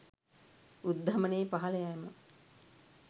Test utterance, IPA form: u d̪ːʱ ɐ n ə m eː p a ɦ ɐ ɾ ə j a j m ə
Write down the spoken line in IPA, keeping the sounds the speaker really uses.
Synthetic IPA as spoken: u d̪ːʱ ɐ m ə n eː p a ɦ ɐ l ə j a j m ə